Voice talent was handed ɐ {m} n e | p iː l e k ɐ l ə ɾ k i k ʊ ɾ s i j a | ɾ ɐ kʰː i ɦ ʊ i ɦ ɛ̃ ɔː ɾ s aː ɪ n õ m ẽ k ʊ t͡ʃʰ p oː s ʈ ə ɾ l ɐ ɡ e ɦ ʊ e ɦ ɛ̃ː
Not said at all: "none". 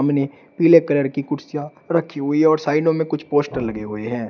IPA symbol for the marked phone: m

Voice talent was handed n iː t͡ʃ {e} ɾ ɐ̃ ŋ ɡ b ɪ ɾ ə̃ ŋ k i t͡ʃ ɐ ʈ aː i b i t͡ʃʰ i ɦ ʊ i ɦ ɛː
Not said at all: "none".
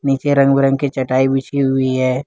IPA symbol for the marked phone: e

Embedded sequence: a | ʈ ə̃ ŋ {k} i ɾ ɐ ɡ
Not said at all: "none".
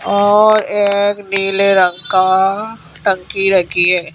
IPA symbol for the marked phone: k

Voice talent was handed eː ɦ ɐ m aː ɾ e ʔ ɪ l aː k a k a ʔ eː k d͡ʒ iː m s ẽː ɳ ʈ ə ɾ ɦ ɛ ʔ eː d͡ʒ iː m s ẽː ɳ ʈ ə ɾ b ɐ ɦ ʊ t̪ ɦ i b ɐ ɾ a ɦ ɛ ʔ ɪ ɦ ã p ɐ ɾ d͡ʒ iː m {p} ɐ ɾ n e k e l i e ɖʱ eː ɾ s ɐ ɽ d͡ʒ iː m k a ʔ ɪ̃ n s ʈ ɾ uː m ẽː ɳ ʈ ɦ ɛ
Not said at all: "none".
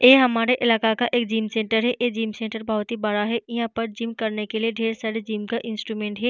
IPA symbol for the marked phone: k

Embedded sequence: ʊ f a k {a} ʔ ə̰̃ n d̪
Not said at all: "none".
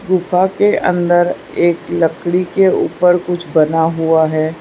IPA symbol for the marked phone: e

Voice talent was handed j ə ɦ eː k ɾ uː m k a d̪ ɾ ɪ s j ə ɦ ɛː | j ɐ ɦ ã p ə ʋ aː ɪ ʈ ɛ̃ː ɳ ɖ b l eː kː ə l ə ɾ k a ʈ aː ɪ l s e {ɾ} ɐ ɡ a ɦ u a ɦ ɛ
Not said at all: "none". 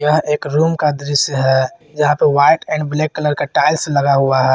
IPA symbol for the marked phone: l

